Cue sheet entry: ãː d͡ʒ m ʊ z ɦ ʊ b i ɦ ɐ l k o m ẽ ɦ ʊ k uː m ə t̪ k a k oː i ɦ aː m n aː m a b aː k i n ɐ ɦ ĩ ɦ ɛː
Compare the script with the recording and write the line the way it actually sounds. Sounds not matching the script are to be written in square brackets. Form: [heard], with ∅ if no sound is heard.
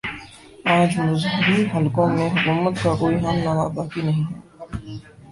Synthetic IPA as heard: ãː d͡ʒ m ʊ z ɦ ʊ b i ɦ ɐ l k [õ] m ẽ ɦ ʊ k uː m ə t̪ k a k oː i ɦ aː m n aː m a b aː k i n ɐ ɦ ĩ ɦ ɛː